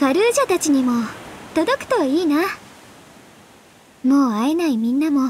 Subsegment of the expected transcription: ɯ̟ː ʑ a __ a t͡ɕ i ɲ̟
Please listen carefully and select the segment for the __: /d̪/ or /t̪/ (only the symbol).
t̪